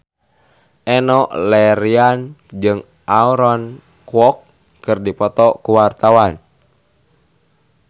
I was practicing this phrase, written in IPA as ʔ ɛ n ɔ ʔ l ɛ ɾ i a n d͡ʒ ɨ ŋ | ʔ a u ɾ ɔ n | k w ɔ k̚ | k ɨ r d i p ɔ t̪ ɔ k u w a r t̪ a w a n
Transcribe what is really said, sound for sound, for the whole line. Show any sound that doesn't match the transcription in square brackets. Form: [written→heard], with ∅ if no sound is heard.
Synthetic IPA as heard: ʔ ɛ n ɔ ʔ l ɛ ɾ i a n d͡ʒ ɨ ŋ | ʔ a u ɾ ɔ n | k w ɔ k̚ | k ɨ r d i p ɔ t̪ ɔ k u w a r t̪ a w a n